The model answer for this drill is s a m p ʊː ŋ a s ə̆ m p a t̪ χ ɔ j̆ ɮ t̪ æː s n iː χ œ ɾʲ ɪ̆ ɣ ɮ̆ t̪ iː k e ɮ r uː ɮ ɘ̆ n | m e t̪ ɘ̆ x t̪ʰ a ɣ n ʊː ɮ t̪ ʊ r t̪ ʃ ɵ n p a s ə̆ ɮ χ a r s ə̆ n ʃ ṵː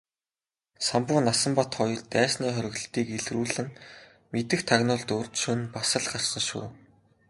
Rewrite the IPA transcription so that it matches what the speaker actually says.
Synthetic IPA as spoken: s a m p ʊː n a s ə̆ m p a t̪ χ ɔ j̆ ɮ t̪ æː s n iː χ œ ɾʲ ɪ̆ ɣ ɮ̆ t̪ iː k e ɮ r uː ɮ ɘ̆ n | m e t̪ ɘ̆ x t̪ʰ a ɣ n ʊː ɮ t̪ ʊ r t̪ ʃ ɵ n p a s ə̆ ɮ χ a r s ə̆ n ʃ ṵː

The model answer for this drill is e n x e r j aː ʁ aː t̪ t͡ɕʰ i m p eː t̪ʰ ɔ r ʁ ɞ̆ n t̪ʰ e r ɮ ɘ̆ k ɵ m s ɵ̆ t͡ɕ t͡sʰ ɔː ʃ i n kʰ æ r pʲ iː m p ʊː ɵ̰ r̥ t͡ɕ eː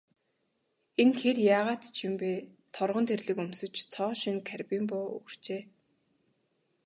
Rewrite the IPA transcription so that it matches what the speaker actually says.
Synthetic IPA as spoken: e n x e r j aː ʁ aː t̪ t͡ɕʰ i m p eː t̪ʰ ɔ r ʁ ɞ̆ n t̪ʰ e r ɮ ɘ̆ k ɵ m s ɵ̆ t͡ɕ t͡sʰ ɔː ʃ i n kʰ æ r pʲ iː m p ʊː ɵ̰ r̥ t͡ɕ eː

